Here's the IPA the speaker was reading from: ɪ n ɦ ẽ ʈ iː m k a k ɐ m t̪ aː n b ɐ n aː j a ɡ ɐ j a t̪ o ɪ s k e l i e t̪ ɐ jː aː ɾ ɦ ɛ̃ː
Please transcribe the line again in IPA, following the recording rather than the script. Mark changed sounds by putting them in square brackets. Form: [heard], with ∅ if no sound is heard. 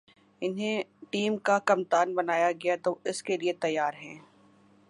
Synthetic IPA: ɪ n ɦ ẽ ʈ iː m k a k ɐ m t̪ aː n b ɐ n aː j a ɡ ɐ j a t̪ o ɪ s k e l i e t̪ ɐ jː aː ɾ ɦ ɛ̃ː